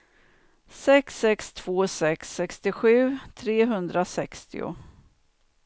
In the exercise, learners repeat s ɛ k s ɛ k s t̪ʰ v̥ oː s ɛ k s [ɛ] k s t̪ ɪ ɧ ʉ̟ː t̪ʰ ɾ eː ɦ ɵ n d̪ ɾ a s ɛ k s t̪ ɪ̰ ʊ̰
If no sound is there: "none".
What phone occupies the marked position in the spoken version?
ɛ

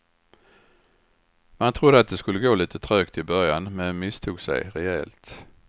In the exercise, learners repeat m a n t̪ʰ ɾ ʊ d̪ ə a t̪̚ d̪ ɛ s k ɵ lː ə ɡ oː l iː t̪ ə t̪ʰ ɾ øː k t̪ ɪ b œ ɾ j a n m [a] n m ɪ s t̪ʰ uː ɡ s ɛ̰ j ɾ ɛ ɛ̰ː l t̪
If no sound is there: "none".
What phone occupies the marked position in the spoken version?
ɛ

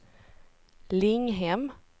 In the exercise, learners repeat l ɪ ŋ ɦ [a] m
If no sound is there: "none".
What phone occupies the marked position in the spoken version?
ɛ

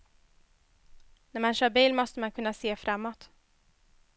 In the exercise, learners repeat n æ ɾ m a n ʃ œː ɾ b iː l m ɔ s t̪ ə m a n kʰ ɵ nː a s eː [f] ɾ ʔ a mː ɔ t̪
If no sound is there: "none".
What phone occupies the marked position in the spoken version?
f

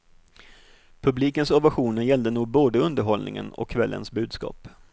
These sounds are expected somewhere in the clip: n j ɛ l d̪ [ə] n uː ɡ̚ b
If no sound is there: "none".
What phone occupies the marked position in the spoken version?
ə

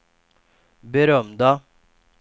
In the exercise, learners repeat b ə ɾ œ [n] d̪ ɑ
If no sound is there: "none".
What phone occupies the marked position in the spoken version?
m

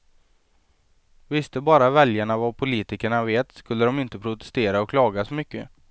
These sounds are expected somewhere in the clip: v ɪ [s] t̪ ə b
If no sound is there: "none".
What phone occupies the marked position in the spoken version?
s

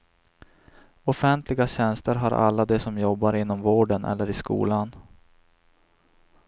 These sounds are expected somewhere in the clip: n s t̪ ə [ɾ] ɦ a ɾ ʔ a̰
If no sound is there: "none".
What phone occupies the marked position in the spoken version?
ɾ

